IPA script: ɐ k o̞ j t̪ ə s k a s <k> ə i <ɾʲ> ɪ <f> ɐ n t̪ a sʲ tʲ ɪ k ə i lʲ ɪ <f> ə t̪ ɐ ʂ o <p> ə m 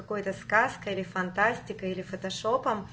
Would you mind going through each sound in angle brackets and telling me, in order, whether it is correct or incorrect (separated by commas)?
correct, incorrect, correct, correct, correct